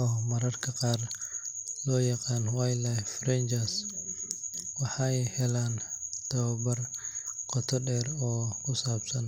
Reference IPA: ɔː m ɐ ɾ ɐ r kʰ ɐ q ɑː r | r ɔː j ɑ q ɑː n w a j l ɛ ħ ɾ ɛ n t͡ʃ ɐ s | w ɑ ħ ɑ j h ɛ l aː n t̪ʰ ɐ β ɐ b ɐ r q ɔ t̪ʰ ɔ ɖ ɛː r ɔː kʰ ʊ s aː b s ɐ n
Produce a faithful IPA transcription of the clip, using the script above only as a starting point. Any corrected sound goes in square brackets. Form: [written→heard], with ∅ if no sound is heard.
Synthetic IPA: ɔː m ɐ ɾ ɐ r kʰ ɐ q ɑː r | [r→l] ɔː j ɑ q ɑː n w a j l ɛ [ħ→f] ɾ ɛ n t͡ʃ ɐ s | w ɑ ħ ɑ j h ɛ l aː n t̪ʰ ɐ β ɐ b ɐ r q ɔ t̪ʰ ɔ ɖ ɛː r ɔː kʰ ʊ s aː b s ɐ n